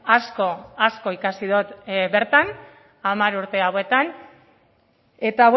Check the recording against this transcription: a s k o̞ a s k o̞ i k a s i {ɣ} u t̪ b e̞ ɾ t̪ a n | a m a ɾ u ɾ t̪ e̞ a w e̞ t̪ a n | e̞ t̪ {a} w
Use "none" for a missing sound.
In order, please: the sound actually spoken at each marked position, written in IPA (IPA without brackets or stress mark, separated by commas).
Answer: ð, a